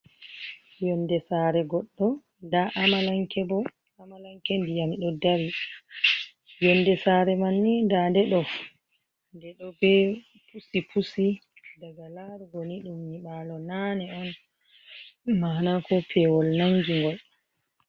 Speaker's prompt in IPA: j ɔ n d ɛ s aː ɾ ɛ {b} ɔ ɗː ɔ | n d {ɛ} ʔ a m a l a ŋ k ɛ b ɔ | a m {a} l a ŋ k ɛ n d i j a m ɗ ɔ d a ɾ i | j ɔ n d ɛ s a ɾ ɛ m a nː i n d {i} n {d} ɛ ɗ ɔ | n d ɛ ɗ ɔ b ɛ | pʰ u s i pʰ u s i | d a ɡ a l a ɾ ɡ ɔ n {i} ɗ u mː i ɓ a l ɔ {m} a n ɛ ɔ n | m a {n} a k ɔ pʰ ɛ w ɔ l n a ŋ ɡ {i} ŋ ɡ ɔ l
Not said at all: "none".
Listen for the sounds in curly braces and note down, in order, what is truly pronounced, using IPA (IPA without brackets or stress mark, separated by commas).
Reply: ɡ, a, a, a, d, i, n, n, i